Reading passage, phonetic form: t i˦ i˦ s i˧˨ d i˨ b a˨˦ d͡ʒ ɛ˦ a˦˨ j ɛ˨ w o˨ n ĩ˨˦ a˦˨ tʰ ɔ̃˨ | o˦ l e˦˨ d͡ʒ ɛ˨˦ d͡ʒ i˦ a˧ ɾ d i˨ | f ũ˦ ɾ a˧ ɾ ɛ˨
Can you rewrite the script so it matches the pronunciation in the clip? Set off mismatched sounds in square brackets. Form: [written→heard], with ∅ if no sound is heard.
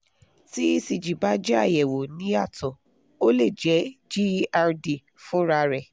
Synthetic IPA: t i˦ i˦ s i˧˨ [d→d͡ʒ] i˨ b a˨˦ d͡ʒ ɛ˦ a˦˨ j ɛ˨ w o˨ n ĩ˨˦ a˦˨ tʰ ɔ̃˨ | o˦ l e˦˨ d͡ʒ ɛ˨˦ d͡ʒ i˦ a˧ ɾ d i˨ | f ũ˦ ɾ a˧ ɾ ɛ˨